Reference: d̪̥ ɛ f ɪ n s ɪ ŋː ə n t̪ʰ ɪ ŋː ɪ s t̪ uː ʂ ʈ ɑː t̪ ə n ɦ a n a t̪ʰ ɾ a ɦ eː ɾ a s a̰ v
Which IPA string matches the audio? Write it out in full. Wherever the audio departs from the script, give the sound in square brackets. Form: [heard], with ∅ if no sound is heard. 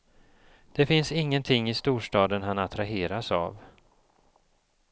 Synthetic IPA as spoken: d̪̥ ɛ f ɪ n s ɪ ŋː ə n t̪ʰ ɪ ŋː ɪ s t̪ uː ʂ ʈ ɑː [d̪] ə n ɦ a n a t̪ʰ ɾ a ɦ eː ɾ a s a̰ v